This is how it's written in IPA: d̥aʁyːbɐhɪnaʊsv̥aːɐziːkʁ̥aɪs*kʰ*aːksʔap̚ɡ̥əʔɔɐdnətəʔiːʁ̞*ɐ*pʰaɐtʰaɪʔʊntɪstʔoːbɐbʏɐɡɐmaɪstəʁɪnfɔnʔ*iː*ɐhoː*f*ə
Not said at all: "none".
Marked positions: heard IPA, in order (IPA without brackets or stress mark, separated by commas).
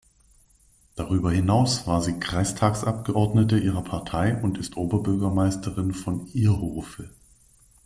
tʰ, ɐ, iː, f